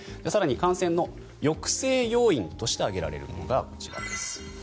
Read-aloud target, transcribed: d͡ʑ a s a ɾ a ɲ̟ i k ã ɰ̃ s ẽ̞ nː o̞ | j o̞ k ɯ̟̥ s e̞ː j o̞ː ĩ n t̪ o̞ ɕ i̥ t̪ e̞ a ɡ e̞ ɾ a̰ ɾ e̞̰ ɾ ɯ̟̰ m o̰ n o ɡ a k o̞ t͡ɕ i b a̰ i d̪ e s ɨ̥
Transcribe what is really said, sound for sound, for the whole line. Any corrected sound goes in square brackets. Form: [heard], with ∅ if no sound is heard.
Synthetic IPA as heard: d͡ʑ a s a ɾ a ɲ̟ i k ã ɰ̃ s ẽ̞ nː o̞ | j o̞ k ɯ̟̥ s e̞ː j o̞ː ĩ n t̪ o̞ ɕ i̥ t̪ e̞ a ɡ e̞ ɾ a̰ ɾ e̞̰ ɾ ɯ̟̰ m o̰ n o ɡ a k o̞ t͡ɕ i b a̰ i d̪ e s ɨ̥